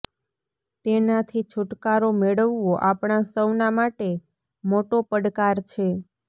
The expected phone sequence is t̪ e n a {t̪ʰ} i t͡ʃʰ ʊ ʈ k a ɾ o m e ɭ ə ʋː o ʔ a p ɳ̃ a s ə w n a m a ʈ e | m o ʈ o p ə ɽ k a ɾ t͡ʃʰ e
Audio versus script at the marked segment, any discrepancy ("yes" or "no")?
no